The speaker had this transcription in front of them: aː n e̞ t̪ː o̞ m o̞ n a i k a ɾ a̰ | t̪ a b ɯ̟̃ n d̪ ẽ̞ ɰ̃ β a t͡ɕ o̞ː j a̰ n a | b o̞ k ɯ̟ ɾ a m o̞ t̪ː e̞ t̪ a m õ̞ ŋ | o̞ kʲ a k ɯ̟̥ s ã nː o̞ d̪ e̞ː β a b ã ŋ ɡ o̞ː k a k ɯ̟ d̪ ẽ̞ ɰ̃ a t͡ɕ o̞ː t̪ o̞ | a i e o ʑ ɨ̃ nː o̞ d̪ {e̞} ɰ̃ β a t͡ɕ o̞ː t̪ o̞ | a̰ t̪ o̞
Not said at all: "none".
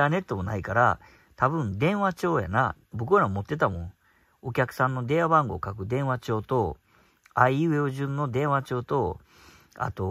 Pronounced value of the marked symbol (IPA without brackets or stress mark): ẽ̞